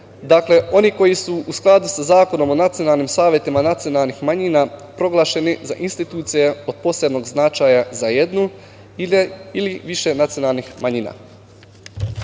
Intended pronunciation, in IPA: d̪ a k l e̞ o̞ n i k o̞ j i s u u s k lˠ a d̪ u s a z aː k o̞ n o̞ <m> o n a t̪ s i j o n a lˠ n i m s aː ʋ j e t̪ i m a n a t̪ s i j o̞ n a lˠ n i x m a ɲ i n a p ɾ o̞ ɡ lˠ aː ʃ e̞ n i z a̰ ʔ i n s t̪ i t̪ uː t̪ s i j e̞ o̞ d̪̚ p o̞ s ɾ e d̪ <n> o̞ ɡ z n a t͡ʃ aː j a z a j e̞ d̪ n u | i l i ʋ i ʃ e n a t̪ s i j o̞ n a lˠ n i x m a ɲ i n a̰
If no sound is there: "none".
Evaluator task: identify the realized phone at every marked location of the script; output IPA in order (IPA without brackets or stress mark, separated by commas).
m, n